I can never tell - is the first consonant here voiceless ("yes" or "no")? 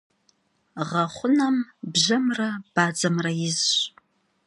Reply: no